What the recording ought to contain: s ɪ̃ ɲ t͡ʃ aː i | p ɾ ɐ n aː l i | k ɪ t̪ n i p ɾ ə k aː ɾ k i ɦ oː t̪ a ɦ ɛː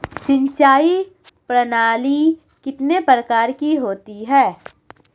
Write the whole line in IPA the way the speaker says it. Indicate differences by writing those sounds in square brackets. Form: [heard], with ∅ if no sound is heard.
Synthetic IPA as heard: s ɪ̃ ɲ t͡ʃ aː i | p ɾ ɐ n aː l i | k ɪ t̪ n [e] p ɾ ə k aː ɾ k i ɦ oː t̪ [i] ɦ ɛː